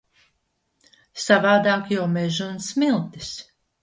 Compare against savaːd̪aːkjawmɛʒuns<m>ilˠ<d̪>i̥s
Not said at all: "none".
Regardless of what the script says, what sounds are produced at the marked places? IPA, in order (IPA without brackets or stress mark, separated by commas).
m, t̪